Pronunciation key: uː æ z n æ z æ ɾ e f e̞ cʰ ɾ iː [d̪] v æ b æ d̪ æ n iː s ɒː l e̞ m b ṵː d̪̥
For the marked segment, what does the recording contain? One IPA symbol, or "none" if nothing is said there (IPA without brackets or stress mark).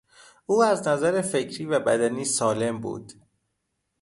none